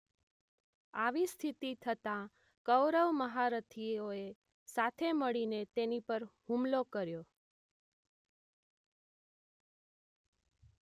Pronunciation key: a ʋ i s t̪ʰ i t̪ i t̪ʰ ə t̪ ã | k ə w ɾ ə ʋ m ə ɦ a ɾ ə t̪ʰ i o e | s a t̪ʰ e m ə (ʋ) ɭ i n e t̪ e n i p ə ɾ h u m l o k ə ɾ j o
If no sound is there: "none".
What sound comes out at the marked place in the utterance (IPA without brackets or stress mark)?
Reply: none